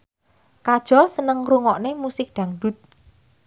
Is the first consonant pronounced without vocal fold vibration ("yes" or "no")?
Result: yes